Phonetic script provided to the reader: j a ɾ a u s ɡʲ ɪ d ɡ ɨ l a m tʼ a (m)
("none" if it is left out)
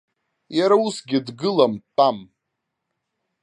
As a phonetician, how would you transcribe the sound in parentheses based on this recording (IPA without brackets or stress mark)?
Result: m